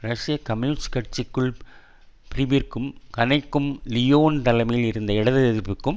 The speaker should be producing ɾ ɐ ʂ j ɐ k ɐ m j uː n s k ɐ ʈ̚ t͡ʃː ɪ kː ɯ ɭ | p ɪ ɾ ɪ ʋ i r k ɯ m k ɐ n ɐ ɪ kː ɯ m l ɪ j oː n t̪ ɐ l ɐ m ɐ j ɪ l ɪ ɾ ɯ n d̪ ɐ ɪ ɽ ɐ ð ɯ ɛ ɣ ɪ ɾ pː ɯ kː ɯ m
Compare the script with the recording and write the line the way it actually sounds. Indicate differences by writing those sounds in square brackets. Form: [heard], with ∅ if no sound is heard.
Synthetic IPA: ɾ ɐ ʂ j ɐ k ɐ m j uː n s k ɐ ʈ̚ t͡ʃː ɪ kː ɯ ɭ | p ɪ ɾ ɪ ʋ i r k ɯ m k ɐ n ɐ ɪ kː ɯ m l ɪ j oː n t̪ ɐ l ɐ m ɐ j ɪ l ɪ ɾ ɯ n d̪ ɐ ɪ ɽ ɐ ð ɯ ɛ [ð] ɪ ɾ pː ɯ kː ɯ m